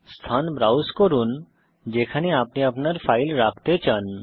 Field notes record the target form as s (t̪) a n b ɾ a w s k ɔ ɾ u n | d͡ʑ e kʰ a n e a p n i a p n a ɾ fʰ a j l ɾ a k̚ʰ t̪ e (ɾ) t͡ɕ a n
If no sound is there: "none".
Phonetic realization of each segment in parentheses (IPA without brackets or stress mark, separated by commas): t̪ʰ, none